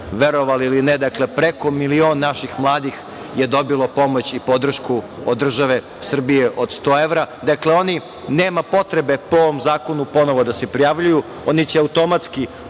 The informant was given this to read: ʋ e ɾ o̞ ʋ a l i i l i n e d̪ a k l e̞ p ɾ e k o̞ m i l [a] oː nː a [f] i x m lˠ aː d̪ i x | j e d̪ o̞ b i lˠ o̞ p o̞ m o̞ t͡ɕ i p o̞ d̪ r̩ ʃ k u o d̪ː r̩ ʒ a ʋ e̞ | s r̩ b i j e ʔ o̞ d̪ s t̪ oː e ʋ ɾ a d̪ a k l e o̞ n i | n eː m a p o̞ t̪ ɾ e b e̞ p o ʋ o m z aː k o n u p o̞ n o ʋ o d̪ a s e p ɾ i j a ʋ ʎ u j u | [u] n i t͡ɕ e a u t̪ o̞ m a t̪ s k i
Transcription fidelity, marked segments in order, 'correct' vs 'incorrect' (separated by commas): incorrect, incorrect, incorrect